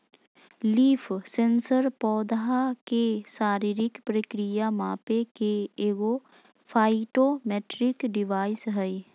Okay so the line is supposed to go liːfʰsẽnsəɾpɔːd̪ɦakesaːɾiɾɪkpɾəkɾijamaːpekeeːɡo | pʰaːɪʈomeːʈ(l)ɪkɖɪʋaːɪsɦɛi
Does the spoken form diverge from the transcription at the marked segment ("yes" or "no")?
yes